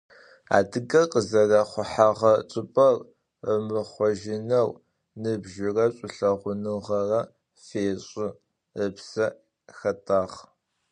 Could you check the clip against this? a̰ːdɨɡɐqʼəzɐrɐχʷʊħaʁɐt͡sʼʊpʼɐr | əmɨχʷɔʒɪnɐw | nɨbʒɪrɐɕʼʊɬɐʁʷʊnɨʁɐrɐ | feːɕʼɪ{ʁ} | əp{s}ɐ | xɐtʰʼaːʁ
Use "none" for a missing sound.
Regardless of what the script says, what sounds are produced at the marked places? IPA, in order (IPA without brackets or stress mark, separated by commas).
none, s